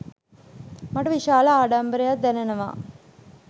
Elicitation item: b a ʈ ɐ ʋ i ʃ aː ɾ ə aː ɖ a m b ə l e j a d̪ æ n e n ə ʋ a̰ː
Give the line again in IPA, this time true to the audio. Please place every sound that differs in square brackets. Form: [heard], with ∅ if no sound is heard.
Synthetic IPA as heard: [m] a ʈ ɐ ʋ i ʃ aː [l] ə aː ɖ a m b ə [ɾ] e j a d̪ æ n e n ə ʋ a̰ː